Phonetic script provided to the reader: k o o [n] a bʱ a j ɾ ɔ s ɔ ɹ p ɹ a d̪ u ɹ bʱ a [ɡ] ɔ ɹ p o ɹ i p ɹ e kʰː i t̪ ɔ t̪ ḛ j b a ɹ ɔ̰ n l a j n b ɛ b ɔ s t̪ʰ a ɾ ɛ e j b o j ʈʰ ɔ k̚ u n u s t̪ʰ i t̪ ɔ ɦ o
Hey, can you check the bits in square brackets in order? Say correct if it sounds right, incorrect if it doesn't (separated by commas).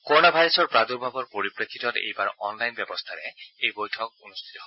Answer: correct, incorrect